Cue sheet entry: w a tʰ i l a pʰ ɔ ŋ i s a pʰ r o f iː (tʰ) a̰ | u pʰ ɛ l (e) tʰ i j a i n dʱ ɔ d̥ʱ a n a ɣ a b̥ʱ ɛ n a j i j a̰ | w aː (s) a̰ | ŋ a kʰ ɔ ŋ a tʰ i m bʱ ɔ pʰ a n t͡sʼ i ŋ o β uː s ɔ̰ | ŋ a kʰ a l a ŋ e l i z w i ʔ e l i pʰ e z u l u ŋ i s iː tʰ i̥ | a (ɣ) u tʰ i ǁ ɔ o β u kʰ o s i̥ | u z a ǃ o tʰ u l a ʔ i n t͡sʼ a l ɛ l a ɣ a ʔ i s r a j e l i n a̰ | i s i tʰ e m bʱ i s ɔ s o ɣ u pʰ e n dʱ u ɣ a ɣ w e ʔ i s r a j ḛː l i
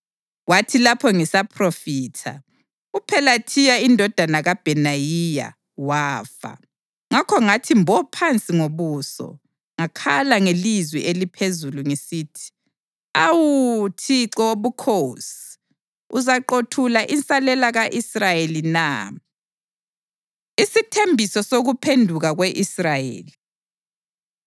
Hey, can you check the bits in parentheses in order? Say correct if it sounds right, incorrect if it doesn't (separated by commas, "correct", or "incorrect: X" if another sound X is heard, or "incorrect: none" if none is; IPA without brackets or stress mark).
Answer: correct, incorrect: a, incorrect: f, incorrect: w